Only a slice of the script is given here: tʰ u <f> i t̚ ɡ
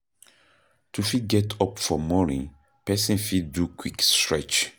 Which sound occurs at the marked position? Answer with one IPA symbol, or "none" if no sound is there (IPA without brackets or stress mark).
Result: f